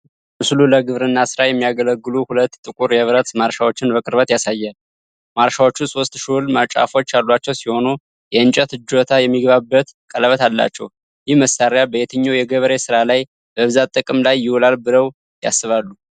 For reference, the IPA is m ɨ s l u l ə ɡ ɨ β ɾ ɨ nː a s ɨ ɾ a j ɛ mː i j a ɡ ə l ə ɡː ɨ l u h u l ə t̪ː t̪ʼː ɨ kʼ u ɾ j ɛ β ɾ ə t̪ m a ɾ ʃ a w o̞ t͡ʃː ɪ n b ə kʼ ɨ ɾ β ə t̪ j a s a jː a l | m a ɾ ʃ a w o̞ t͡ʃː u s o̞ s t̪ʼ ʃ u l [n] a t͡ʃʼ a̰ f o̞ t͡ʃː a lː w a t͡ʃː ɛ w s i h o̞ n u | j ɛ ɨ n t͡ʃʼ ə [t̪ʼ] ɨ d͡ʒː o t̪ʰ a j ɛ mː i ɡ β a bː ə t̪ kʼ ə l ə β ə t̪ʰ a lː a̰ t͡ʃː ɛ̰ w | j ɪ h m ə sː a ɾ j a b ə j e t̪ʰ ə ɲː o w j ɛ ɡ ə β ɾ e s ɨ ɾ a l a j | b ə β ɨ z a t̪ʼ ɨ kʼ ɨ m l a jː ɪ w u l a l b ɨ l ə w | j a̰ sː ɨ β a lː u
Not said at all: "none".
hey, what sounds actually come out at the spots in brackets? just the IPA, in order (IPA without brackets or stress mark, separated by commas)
m, t̪